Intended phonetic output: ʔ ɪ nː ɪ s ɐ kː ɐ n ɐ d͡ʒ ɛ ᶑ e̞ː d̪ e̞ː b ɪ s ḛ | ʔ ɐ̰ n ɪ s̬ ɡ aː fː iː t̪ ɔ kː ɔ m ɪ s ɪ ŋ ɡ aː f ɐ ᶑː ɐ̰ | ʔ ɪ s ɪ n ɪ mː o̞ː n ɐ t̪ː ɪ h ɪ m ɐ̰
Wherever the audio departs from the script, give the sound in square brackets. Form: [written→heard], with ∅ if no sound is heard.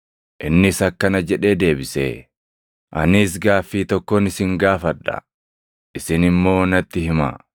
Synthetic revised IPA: ʔ ɪ nː ɪ s ɐ kː ɐ n ɐ d͡ʒ ɛ ᶑ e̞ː d̪ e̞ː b ɪ s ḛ | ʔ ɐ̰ n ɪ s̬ ɡ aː fː iː t̪ ɔ kː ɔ [m→n] ɪ s ɪ ŋ ɡ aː f ɐ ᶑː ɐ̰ | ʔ ɪ s ɪ n ɪ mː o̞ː n ɐ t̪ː ɪ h ɪ m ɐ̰